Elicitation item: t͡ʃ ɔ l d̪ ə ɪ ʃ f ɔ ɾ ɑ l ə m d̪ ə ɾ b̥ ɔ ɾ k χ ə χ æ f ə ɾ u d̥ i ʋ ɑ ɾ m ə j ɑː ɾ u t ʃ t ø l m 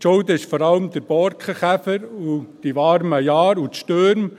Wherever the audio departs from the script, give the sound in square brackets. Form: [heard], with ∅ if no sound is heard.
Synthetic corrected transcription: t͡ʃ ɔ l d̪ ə ɪ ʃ f ɔ ɾ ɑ l ə m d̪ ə ɾ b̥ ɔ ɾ k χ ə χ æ f ə ɾ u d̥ i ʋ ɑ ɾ m ə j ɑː ɾ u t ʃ t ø [ɾ] m